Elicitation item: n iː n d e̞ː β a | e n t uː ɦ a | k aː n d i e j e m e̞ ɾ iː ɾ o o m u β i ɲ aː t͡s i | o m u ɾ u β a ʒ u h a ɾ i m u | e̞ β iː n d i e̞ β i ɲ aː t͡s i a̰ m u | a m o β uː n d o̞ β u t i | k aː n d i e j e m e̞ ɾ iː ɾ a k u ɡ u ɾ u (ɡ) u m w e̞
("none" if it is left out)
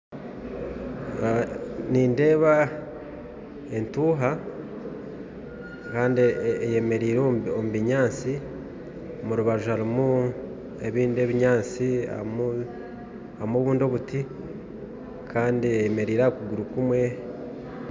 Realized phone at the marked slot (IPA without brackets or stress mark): k